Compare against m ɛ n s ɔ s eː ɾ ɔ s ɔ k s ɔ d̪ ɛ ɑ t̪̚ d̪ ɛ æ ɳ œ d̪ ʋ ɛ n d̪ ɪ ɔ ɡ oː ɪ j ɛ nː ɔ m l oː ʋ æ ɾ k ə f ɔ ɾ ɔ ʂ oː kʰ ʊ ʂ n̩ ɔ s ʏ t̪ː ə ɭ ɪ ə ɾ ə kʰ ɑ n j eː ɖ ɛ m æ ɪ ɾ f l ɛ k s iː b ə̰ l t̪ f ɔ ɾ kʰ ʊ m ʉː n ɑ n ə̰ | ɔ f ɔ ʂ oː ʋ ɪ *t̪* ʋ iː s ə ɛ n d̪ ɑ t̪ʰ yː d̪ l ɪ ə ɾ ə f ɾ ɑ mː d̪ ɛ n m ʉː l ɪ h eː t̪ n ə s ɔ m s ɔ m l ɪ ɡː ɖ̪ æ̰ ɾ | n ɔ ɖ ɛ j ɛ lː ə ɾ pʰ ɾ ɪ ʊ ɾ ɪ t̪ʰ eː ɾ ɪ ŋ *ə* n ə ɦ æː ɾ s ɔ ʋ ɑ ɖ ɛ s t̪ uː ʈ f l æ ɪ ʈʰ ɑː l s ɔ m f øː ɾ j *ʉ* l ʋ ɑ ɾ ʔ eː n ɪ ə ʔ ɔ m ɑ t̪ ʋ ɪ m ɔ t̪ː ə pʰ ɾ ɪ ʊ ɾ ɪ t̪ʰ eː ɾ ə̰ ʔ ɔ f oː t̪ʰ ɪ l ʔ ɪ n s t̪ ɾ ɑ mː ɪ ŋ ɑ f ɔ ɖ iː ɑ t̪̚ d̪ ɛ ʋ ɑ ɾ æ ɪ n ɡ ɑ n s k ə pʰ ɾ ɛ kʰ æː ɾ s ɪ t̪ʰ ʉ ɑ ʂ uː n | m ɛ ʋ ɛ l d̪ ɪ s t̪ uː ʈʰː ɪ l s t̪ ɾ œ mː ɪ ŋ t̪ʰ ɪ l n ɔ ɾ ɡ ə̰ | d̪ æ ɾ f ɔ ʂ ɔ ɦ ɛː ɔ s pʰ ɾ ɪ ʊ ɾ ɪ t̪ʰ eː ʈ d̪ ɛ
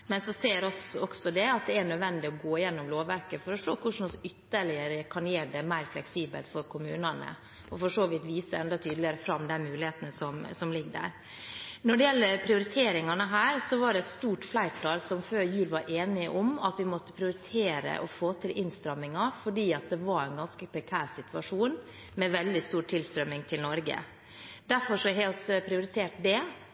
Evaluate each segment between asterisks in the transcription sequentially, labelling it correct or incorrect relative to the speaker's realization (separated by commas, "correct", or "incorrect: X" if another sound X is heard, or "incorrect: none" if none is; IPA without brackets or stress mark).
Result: correct, incorrect: ɑ, incorrect: ʉː